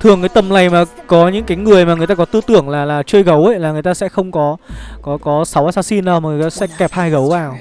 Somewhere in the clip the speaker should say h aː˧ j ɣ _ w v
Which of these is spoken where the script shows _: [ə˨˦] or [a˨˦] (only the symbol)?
ə˨˦